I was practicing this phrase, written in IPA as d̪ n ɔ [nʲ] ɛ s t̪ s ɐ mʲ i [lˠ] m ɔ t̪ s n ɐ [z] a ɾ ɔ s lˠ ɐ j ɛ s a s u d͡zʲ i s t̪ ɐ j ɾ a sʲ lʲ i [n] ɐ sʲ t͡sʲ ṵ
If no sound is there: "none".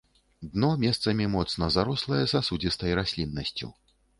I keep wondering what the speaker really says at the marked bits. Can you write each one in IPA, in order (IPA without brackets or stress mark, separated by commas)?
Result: mʲ, none, z, nː